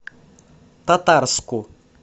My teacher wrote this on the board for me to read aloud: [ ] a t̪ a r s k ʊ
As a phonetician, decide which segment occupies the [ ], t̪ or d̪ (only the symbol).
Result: t̪